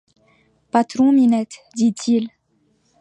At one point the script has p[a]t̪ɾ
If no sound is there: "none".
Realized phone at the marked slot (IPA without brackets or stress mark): a